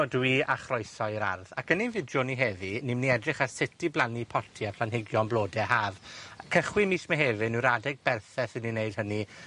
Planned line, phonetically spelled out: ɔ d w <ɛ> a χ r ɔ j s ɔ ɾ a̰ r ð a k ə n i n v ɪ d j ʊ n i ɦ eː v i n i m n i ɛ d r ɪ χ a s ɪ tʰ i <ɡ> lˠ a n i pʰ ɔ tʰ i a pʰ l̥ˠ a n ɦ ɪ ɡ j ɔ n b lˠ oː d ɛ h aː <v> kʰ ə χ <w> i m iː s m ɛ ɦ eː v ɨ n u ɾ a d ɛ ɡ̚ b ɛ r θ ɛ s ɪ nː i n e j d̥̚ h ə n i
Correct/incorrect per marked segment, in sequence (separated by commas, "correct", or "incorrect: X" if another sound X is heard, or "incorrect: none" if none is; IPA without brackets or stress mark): incorrect: i, incorrect: b, correct, correct